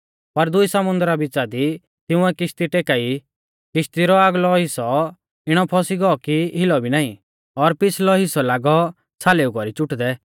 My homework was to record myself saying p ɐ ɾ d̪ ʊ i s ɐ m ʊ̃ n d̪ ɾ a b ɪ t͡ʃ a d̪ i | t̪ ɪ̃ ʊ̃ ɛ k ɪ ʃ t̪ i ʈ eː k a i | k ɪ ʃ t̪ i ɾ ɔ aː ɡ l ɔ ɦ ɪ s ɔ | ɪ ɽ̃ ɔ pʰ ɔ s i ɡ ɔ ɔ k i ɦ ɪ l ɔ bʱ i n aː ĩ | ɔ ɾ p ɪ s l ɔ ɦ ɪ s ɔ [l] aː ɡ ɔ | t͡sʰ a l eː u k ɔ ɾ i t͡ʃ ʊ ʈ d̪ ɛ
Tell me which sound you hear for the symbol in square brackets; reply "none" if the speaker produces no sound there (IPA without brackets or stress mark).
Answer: l